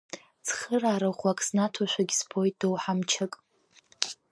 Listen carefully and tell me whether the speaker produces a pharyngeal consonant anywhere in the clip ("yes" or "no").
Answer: yes